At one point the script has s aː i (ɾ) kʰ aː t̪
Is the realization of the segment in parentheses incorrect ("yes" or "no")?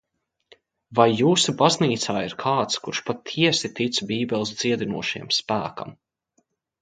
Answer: no